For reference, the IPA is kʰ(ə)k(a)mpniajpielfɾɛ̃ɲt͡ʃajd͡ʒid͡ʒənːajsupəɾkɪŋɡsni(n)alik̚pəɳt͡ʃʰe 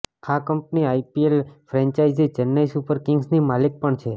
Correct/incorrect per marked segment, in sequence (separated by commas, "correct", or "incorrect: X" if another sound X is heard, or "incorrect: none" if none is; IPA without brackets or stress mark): incorrect: a, incorrect: ə, incorrect: m